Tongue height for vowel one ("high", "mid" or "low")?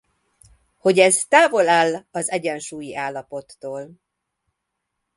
mid